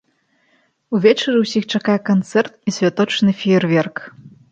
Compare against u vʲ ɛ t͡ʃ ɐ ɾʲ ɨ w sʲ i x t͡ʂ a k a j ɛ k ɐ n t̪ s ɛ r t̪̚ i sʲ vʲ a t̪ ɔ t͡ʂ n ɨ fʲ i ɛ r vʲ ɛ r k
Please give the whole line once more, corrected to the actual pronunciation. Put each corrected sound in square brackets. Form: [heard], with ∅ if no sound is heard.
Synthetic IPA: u vʲ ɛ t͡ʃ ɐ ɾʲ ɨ w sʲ i x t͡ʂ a k a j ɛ k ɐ n t̪ s ɛ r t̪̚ i sʲ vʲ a t̪ ɔ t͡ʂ n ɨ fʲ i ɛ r vʲ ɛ r k